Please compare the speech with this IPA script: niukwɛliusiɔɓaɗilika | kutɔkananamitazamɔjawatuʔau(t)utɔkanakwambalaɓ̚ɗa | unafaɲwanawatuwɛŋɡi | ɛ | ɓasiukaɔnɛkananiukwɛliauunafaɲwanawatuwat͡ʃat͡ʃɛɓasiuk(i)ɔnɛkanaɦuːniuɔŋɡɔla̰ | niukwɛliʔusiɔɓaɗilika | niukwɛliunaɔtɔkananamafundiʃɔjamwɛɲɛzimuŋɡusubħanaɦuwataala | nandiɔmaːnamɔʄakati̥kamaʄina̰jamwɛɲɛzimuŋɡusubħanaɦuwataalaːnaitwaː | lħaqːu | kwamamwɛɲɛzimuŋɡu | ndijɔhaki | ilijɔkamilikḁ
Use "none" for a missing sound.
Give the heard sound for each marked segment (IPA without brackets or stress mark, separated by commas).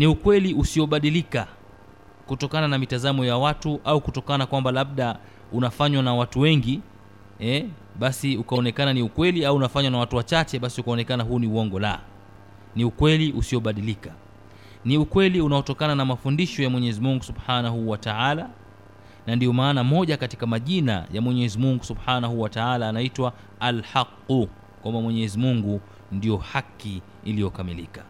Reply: k, a